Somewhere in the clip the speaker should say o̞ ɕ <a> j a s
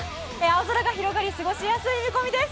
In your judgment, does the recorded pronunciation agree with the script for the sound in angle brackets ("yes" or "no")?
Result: no